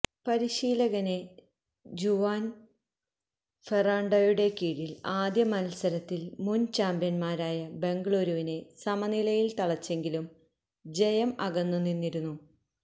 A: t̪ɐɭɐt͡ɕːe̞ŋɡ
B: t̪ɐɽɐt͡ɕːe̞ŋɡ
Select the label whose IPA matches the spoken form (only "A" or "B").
A